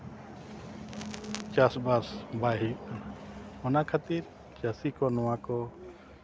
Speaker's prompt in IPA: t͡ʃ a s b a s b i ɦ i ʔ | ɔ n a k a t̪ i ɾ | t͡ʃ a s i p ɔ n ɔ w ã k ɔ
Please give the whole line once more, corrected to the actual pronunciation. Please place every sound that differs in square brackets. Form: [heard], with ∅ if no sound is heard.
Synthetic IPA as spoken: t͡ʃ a s b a s b [a] ɦ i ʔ | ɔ n a [kʰ] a t̪ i ɾ | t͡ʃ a s i [k] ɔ n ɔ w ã k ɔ